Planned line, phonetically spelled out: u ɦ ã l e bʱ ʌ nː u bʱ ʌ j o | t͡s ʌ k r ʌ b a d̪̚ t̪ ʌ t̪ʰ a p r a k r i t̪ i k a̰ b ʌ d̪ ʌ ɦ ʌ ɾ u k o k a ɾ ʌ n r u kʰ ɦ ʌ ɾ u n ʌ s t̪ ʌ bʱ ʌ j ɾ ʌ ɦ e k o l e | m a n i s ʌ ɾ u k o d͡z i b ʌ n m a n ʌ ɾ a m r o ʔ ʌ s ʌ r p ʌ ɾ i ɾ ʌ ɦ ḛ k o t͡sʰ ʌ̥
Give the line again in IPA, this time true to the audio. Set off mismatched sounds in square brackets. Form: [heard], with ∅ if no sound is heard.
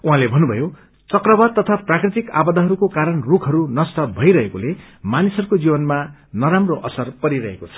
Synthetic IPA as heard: u ɦ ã l e bʱ ʌ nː u bʱ ʌ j o | t͡s ʌ k r ʌ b a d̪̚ t̪ ʌ t̪ʰ a p r a k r i t̪ i k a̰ b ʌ d̪ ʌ ɦ ʌ ɾ u k o k a ɾ ʌ n r u kʰ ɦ ʌ ɾ u n ʌ s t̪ ʌ bʱ ʌ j ɾ ʌ ɦ e k o l e | m a n i s ʌ ɾ u k o d͡z i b ʌ n m a n ʌ ɾ a m r o ʔ ʌ s ʌ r p ʌ ɾ i ɾ ʌ ɦ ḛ k o t͡sʰ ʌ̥

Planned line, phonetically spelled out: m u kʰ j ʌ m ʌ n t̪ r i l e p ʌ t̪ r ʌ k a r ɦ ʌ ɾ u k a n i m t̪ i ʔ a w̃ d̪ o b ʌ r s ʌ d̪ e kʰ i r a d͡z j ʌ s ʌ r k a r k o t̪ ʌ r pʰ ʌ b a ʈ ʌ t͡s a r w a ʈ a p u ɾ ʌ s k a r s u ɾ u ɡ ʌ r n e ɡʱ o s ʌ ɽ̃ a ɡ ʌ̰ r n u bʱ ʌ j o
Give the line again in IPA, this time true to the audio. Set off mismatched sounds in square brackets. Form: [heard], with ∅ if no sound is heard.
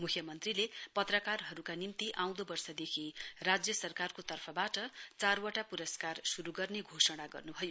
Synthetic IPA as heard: m u kʰ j ʌ m ʌ n t̪ r i l e p ʌ t̪ r ʌ k a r ɦ ʌ ɾ u k a n i m t̪ i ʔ a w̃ d̪ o b ʌ r s ʌ d̪ e kʰ i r a d͡z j ʌ s ʌ r k a r k o t̪ ʌ r pʰ ʌ b a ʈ ʌ t͡s a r w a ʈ a p u ɾ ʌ s k a r s u ɾ u ɡ ʌ r n e ɡʱ o s ʌ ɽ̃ a ɡ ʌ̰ r n u bʱ ʌ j o

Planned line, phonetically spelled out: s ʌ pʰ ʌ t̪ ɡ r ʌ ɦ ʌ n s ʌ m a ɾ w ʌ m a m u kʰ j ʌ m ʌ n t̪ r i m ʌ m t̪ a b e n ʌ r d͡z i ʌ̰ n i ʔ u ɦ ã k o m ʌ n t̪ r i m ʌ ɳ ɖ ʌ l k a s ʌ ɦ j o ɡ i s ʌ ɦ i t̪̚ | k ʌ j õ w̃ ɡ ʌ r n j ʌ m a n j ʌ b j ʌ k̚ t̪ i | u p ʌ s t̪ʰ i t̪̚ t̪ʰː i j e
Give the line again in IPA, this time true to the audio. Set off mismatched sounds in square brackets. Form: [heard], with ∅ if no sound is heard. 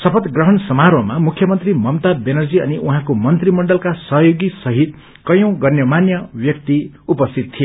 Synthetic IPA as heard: s ʌ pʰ ʌ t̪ ɡ r ʌ ɦ ʌ n s ʌ m a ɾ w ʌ m a m u kʰ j ʌ m ʌ n t̪ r i m ʌ m t̪ a b e n ʌ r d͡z i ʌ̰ n i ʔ u ɦ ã k o m ʌ n t̪ r i m ʌ ɳ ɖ ʌ l k a s ʌ ɦ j o ɡ i s ʌ ɦ i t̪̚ | k ʌ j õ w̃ ɡ ʌ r n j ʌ m a n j ʌ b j ʌ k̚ t̪ i | u p ʌ s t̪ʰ i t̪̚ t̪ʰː i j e

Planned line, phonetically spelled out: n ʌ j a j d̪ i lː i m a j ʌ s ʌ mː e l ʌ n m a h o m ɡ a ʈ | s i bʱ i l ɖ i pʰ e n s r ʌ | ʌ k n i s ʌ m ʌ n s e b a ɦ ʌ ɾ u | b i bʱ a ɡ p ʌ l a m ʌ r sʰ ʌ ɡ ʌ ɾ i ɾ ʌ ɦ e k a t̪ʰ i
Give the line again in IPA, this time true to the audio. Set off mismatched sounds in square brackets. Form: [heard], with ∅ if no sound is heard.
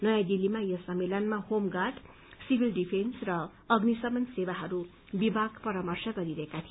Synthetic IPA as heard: n ʌ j a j d̪ i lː i m a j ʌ s ʌ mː e l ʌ n m a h o m ɡ a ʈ | s i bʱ i l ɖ i pʰ e n s r ʌ | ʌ [ɡ] n i s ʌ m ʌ n s e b a ɦ ʌ ɾ u | b i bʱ a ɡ p ʌ [ɾ] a m ʌ r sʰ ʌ ɡ ʌ ɾ i ɾ ʌ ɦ e k a t̪ʰ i

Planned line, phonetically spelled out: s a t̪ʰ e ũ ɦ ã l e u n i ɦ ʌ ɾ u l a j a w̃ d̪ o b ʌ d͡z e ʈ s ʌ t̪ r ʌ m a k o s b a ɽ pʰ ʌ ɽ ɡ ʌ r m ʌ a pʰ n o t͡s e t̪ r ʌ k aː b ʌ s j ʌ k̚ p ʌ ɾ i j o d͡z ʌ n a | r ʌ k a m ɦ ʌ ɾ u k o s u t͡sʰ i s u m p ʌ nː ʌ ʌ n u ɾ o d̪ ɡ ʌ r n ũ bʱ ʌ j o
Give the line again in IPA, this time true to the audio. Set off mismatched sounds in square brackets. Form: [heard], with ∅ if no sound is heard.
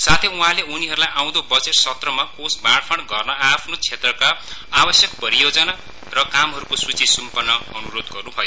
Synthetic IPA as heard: s a t̪ʰ e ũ ɦ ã l e u n i ɦ ʌ ɾ u l a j a w̃ d̪ o b ʌ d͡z e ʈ s ʌ t̪ r ʌ m a k o s b a ɽ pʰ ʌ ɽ ɡ ʌ r [n] ʌ a pʰ n o [t͡sʰ] e t̪ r ʌ k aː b ʌ s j ʌ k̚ p ʌ ɾ i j o d͡z ʌ n a | r ʌ k a m ɦ ʌ ɾ u k o s u [t͡s] i s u m p ʌ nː ʌ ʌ n u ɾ o d̪ ɡ ʌ r n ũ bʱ ʌ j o

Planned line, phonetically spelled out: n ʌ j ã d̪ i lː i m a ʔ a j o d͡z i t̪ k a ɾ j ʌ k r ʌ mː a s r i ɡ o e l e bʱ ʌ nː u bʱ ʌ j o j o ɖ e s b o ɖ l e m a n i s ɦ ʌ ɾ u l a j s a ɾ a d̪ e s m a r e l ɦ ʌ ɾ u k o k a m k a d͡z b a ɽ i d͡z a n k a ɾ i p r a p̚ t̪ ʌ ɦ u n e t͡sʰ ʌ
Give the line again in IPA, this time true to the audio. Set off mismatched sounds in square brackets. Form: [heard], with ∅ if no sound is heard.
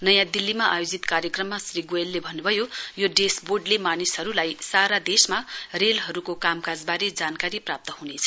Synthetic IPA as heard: n ʌ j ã d̪ i lː i m a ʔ a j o d͡z i t̪ k a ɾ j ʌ k r ʌ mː a s r i ɡ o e [lː] e bʱ ʌ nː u bʱ ʌ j o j o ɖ e s b o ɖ l e m a n i s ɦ ʌ ɾ u l a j s a ɾ a d̪ e s m a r e l ɦ ʌ ɾ u k o k a m k a d͡z b a [ɾ] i d͡z a n k a ɾ i p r a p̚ t̪ ʌ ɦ u n e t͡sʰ ʌ

